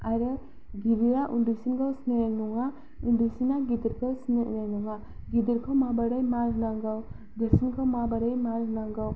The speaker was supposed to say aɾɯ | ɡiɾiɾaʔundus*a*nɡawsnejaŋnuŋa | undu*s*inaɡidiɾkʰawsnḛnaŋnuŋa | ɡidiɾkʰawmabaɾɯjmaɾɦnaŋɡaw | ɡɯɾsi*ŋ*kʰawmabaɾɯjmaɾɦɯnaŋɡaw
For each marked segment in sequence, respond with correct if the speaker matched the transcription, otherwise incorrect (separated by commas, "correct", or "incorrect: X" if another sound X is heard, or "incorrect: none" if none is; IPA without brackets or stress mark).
incorrect: i, correct, incorrect: n